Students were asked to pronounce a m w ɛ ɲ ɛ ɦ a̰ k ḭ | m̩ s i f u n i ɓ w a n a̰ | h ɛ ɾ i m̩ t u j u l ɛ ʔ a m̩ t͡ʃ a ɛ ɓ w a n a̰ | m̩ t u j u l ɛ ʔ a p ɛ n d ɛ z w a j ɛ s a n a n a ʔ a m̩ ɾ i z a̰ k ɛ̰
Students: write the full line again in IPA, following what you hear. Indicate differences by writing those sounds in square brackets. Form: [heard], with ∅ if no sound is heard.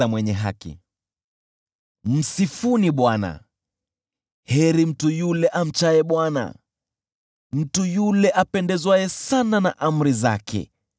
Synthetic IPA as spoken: a m w ɛ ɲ ɛ ɦ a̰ k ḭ | m̩ s i f u n i ɓ w a n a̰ | h ɛ ɾ i m̩ t u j u l ɛ ʔ a m̩ t͡ʃ a ɛ ɓ w a n a̰ | m̩ t u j u l ɛ ʔ a p ɛ n d ɛ z w a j ɛ s a n a n a ʔ a m̩ ɾ i z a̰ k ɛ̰